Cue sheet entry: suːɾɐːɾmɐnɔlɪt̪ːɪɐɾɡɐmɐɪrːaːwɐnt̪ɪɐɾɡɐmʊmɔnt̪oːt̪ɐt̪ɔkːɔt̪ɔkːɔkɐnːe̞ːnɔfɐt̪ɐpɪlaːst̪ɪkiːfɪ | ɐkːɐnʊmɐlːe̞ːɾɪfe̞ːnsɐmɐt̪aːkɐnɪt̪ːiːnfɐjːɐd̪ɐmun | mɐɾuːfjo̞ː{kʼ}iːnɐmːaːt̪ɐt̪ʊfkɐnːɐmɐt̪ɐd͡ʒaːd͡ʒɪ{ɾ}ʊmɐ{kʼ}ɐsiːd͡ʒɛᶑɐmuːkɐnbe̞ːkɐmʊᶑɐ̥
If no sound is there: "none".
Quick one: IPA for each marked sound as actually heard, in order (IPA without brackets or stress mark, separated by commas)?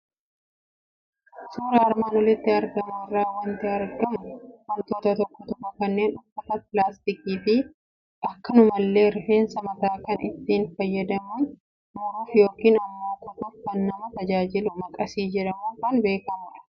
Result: k, l, kʼ